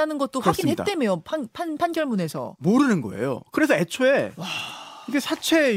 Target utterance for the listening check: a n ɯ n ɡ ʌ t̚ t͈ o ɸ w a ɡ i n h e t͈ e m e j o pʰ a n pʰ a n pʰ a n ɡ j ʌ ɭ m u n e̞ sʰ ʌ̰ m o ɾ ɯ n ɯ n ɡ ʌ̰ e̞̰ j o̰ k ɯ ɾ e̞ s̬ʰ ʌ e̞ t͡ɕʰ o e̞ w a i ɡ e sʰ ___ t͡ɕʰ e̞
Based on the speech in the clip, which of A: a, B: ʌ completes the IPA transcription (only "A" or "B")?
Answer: A